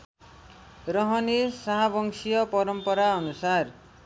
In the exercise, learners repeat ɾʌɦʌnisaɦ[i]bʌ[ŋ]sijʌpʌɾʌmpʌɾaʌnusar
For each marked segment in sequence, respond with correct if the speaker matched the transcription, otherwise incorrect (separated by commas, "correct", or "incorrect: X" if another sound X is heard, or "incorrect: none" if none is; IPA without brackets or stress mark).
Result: incorrect: a, correct